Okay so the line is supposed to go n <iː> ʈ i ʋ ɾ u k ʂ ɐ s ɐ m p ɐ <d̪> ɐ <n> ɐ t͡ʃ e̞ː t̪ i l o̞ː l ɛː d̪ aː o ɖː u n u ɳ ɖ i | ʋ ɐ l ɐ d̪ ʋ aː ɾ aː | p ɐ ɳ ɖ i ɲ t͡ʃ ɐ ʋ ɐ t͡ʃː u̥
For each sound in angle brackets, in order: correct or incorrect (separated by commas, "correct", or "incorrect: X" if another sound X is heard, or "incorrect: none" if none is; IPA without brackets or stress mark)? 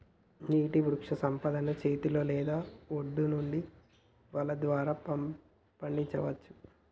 correct, correct, correct